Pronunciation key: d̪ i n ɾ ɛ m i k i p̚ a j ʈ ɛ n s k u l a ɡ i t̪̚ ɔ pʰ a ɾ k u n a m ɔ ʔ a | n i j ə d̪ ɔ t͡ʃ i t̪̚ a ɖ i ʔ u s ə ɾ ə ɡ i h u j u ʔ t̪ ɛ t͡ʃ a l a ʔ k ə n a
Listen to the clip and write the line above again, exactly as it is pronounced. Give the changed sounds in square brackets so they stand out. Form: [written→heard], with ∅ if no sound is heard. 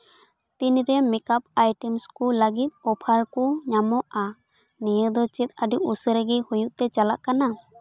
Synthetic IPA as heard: [d̪→t̪] i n ɾ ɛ m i k [i→a] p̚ a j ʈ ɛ [n→m] s k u l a ɡ i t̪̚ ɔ pʰ a ɾ k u [n→ɲ] a m ɔ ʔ a | n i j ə d̪ ɔ t͡ʃ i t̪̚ a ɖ i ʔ u s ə ɾ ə ɡ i h u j u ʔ t̪ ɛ t͡ʃ a l a ʔ k [ə→a] n a